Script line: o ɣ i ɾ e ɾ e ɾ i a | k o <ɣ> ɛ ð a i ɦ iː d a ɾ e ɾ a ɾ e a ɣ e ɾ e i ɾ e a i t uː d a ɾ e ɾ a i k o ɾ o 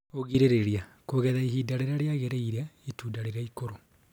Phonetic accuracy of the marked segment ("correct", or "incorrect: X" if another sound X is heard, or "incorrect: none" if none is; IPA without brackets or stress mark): correct